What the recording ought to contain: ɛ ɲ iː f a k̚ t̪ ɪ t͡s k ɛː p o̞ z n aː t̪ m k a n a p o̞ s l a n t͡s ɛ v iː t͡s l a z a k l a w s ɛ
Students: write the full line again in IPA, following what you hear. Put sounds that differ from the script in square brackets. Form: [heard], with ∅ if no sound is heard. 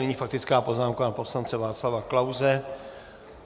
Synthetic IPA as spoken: ɛ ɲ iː f a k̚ t̪ ɪ t͡s k [aː] p o̞ z n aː [∅] m k a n a p o̞ s l a n t͡s ɛ v [aː] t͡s l a [v] a k l a w [z] ɛ